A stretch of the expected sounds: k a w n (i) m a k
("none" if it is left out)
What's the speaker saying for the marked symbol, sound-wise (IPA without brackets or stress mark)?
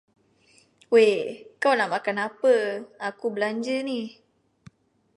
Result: a